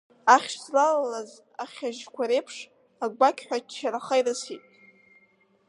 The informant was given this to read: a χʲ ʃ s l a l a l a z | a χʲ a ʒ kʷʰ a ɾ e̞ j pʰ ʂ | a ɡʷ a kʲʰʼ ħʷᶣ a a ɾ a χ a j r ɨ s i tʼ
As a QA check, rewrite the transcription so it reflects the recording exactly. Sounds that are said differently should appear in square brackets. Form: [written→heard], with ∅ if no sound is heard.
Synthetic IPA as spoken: a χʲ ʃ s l a l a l a z | a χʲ a ʒ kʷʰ a ɾ e̞ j pʰ ʂ | a ɡʷ a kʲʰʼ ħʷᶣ a a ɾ a χ a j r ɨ s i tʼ